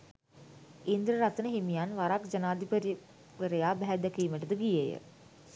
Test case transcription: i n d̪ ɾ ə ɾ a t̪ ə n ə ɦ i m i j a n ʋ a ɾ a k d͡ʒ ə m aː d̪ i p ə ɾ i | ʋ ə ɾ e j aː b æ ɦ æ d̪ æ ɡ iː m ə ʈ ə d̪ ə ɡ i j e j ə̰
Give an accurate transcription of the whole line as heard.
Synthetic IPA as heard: i n d̪ ɾ ə ɾ a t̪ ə n ə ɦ i m i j a n ʋ a ɾ a k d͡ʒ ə n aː d̪ i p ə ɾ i | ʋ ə ɾ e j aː b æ ɦ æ d̪ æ k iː m ə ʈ ə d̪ ə ɡ i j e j ə̰